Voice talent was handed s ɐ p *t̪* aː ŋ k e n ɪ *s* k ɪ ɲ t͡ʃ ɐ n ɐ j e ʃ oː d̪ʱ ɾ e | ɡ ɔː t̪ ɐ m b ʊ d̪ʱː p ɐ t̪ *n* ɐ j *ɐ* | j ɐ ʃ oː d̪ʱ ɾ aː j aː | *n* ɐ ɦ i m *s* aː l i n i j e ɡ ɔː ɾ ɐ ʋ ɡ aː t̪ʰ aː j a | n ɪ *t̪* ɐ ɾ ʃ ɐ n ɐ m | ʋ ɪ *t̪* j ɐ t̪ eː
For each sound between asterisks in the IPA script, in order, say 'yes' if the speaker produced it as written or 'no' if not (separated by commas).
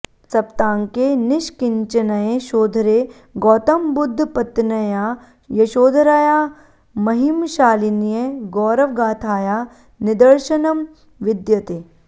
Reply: yes, no, yes, no, no, no, no, no